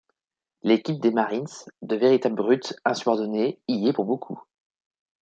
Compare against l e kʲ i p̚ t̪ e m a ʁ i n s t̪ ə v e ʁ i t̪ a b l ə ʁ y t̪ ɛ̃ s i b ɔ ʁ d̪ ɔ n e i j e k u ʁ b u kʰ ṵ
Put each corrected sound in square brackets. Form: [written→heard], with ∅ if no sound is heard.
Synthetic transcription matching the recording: l e kʲ i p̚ [t̪→d̪] e m a ʁ i n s [t̪→d̪] ə v e ʁ i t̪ a b l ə ʁ y t̪ ɛ̃ s [i→y] b ɔ ʁ d̪ ɔ n e i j e [k→p] u ʁ b [u→o] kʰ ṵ